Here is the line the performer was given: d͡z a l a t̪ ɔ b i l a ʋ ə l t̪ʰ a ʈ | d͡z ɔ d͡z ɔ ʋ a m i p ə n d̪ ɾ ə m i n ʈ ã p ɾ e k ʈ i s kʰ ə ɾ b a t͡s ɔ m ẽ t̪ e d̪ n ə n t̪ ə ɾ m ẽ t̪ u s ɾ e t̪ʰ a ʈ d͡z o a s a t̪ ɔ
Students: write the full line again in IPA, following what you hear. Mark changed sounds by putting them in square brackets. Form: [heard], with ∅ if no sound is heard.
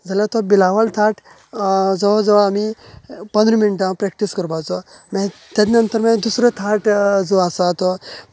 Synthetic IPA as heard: d͡z a l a t̪ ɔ b i l a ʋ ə l t̪ʰ a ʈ | d͡z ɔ d͡z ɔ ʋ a m i p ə n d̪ ɾ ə m i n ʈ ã p ɾ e k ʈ i s [k] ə ɾ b a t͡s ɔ m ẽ t̪ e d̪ n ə n t̪ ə ɾ m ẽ [d̪] u s ɾ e t̪ʰ a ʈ d͡z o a s a t̪ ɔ